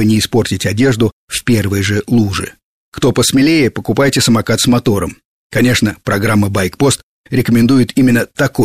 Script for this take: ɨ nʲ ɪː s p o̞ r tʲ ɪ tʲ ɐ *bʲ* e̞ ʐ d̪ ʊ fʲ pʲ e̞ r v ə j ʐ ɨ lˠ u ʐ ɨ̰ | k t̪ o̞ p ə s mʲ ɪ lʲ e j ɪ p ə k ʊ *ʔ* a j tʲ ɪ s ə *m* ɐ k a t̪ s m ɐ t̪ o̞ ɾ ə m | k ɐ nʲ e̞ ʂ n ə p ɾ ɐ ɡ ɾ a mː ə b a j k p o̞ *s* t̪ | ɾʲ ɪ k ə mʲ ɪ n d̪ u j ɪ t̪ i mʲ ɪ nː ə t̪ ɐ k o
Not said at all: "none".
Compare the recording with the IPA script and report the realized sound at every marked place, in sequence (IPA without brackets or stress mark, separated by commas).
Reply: dʲ, p, m, s